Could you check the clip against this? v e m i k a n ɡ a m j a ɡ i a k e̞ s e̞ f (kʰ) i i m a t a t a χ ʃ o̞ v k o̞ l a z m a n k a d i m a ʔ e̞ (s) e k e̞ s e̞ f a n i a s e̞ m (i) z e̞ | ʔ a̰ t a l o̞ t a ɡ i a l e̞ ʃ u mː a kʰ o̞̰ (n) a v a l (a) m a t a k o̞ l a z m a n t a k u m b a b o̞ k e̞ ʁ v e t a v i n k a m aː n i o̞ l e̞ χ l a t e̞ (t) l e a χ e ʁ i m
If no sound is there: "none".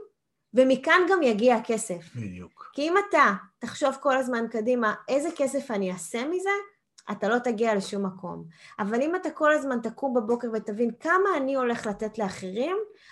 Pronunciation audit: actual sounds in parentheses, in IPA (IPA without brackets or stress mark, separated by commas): k, z, i, m, i, t